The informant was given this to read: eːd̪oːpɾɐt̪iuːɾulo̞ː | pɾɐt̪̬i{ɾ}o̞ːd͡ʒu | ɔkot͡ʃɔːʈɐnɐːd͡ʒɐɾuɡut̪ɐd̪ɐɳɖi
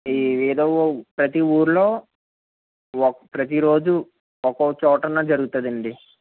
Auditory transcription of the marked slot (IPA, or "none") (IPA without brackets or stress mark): ɾ